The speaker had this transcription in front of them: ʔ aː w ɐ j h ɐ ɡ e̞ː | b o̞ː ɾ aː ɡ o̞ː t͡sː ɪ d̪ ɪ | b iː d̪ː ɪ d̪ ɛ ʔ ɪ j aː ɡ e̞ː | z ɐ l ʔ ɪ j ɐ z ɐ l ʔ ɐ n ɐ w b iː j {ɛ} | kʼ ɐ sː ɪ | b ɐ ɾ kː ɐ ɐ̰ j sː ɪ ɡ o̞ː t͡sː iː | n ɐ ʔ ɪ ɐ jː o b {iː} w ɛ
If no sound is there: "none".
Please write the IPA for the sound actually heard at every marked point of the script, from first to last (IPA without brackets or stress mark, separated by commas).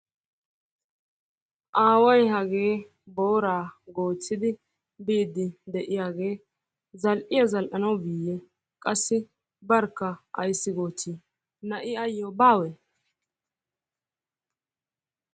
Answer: ɛ, aː